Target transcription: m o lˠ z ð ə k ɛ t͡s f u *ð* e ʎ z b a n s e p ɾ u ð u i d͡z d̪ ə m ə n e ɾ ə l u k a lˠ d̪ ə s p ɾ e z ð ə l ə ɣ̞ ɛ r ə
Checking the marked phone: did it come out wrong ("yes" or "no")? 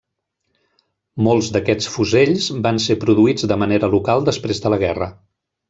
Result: yes